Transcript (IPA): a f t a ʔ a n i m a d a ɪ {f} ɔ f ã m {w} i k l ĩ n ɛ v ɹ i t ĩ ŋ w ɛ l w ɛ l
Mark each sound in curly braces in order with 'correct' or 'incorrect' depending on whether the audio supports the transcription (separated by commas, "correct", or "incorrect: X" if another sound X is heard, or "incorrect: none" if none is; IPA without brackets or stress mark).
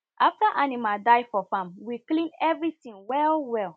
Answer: correct, correct